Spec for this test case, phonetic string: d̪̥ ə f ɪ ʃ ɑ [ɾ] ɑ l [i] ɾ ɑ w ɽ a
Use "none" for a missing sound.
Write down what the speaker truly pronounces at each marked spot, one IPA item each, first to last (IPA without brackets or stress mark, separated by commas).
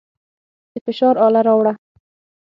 ɾ, a